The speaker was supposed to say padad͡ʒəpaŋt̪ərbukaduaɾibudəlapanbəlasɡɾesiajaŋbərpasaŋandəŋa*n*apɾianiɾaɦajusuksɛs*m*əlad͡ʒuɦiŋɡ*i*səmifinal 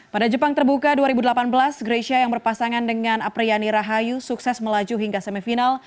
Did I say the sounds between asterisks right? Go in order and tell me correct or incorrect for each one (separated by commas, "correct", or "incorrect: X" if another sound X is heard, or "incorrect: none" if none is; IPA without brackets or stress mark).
correct, correct, incorrect: a